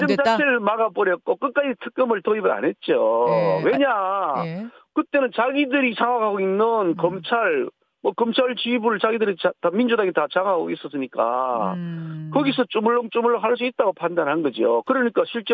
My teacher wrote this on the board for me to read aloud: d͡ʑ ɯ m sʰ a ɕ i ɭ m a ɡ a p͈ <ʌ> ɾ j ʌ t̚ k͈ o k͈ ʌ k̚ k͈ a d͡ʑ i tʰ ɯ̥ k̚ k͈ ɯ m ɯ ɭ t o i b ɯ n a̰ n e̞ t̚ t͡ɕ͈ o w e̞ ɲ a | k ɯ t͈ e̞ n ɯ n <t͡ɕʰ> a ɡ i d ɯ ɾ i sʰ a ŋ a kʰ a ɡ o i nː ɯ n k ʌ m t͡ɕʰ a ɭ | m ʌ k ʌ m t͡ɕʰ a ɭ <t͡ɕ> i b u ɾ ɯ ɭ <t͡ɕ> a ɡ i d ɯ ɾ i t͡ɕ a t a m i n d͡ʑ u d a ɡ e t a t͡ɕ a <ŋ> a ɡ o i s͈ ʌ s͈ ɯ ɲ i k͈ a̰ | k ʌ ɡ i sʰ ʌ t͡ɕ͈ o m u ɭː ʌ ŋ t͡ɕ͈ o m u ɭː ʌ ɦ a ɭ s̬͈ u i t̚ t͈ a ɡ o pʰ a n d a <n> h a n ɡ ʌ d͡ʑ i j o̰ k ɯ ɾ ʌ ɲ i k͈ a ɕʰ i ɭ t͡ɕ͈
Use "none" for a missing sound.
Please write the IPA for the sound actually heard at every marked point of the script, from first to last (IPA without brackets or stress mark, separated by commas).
ʌ, t͡ɕ, t͡ɕ, t͡ɕ, ŋ, n